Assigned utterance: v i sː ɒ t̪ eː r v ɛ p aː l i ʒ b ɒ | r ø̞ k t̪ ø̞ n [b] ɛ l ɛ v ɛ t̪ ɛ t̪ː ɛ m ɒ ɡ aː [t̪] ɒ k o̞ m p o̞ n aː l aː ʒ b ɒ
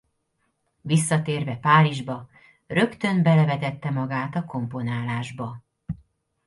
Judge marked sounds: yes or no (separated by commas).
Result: yes, yes